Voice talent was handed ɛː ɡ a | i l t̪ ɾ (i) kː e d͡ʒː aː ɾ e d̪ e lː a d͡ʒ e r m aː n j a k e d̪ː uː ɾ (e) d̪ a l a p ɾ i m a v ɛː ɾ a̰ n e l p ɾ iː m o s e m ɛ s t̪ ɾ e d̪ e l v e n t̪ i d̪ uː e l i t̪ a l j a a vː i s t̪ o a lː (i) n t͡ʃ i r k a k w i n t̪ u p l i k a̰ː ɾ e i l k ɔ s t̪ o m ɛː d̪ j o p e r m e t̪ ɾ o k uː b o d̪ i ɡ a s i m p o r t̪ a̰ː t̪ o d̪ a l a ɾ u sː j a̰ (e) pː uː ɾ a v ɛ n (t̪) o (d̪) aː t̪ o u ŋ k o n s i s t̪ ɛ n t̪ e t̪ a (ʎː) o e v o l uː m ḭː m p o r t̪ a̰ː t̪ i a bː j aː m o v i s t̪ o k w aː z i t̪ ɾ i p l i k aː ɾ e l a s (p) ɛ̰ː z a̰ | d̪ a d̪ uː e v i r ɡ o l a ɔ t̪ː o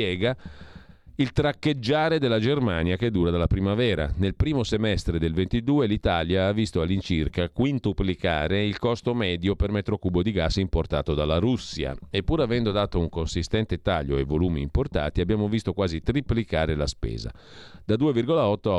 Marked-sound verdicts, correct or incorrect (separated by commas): incorrect, incorrect, correct, correct, incorrect, correct, correct, correct